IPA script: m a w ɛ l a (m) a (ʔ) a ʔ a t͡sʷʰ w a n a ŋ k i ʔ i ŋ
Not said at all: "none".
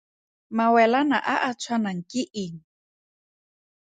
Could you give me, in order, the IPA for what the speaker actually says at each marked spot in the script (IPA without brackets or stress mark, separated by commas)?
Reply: n, ʔ